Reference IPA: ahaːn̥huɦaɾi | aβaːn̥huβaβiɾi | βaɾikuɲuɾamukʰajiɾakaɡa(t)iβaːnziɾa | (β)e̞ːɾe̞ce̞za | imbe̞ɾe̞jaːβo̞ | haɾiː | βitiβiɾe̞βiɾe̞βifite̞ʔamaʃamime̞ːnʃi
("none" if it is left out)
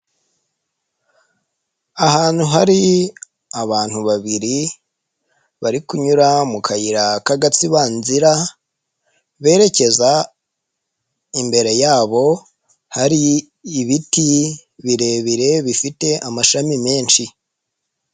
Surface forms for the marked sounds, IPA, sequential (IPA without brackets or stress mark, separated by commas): t͡s, β